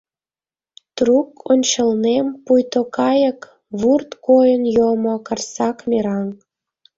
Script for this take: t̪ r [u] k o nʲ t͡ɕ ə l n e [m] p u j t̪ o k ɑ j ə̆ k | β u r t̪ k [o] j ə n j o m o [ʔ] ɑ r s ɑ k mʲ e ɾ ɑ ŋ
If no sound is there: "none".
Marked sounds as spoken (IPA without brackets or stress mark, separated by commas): u, m, o, k